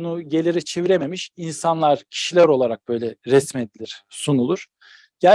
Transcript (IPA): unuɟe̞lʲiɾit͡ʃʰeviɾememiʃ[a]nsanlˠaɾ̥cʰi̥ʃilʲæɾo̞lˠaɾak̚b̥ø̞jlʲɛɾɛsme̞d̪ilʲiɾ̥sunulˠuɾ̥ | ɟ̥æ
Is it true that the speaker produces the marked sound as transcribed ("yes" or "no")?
no